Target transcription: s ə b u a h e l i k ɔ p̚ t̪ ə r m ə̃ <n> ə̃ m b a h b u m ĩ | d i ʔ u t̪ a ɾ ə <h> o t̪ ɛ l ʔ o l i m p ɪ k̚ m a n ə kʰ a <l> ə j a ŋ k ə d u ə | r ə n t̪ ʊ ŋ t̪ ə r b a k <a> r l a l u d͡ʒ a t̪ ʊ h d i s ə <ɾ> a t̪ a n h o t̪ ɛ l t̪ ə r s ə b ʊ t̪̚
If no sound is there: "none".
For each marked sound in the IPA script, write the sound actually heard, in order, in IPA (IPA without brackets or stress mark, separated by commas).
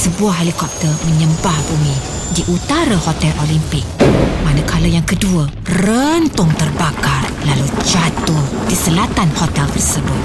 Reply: ɲ, h, l, a, l